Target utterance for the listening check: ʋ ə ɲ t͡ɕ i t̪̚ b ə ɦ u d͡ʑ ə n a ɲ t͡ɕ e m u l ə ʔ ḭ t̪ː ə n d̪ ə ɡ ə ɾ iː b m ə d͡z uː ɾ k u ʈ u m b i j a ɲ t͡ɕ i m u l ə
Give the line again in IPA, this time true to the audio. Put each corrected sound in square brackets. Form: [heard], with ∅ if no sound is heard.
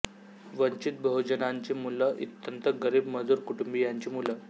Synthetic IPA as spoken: ʋ ə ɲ t͡ɕ i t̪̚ b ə ɦ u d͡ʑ ə n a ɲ t͡ɕ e m u l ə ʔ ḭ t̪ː ə n [t̪] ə ɡ ə ɾ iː b m ə d͡z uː ɾ k u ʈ u m b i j a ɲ t͡ɕ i m u l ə

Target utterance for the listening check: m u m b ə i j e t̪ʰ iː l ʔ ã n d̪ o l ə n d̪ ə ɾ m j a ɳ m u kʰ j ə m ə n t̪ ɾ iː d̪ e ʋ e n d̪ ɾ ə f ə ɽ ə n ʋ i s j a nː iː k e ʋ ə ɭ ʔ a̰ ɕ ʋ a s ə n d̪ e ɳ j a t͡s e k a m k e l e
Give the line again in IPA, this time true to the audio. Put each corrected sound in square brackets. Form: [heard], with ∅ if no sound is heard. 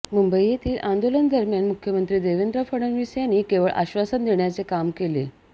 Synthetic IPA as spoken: m u m b ə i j e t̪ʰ iː l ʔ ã n d̪ o l ə n d̪ ə ɾ m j a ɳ m u kʰ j ə m ə n t̪ ɾ iː d̪ e ʋ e n d̪ ɾ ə f ə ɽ ə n ʋ i s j a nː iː k e ʋ ə ɭ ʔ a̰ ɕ ʋ a s ə n d̪ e ɳ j a t͡s e k a m k e l e

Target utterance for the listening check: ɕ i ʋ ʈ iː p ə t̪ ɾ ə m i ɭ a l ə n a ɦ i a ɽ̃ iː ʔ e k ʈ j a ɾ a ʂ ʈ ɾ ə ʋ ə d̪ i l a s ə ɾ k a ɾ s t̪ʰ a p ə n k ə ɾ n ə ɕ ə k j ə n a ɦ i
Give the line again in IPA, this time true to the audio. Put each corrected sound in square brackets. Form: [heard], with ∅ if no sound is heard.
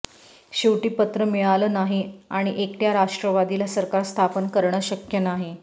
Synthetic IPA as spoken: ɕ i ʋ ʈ iː p ə t̪ ɾ ə m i ɭ a l ə n a ɦ i a ɽ̃ [i] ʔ e k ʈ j a ɾ a ʂ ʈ ɾ ə ʋ [a] d̪ i l a s ə ɾ k a ɾ s t̪ʰ a p ə n k ə ɾ [ɳ] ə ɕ ə k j ə n a ɦ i

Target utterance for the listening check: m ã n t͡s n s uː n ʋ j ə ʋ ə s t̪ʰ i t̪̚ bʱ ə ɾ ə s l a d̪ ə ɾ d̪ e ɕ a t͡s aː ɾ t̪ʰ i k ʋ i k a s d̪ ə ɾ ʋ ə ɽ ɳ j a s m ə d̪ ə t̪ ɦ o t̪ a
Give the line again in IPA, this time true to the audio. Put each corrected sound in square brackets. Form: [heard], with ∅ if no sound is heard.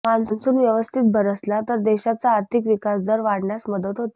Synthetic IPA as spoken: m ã n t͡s n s uː n ʋ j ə ʋ ə s t̪ʰ i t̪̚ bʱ ə ɾ ə s l a [t̪] ə ɾ d̪ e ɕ a t͡s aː ɾ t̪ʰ i k ʋ i k a s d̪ ə ɾ ʋ [a] ɽ ɳ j a s m ə d̪ ə t̪ ɦ o t̪ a

